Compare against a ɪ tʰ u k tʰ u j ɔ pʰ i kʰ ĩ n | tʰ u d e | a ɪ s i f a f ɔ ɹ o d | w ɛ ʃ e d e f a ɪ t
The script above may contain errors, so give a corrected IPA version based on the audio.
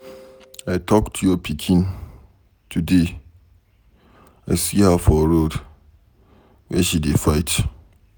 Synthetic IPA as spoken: a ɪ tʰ ɔ k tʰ u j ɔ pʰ i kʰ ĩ n | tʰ u d e | a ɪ s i h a f ɔ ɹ o d | w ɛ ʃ i d e f a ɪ t